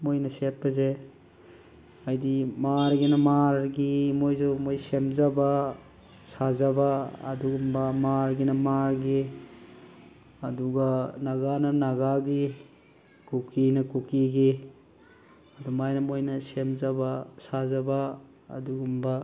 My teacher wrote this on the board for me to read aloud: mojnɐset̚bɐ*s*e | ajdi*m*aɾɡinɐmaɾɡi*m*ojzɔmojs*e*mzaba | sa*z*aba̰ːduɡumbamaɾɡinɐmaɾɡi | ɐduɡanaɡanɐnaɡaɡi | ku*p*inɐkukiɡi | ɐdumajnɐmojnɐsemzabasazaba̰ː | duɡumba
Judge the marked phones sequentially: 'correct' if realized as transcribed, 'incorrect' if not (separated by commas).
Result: incorrect, correct, correct, correct, correct, incorrect